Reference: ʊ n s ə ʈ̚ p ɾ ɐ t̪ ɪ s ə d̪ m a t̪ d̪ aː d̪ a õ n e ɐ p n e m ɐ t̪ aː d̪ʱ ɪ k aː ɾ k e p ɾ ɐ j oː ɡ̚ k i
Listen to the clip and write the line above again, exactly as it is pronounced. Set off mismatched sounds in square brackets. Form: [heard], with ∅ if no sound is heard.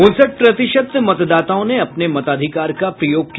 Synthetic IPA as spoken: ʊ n s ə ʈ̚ p ɾ ɐ t̪ ɪ [ʃ] ə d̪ m [ɐ] t̪ d̪ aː [t̪] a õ n e ɐ p n e m ɐ t̪ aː d̪ʱ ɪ k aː ɾ k [a] p ɾ ɐ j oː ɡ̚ k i